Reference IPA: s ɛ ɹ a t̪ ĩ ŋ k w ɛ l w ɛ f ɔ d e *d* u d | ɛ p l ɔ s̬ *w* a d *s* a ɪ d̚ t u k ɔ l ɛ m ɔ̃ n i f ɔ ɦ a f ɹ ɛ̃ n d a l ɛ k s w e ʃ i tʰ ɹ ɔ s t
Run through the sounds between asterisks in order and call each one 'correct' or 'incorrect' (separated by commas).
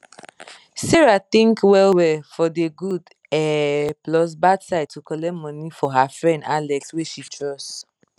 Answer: incorrect, incorrect, correct